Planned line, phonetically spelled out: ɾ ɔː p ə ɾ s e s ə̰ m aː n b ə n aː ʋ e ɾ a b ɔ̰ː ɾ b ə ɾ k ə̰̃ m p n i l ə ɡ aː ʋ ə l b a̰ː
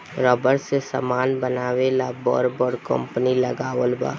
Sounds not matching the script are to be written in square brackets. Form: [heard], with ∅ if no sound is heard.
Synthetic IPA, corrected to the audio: ɾ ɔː [b] ə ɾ s e s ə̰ m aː n b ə n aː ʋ e [l] a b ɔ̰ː ɾ b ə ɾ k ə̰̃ m p n i l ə ɡ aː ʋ ə l b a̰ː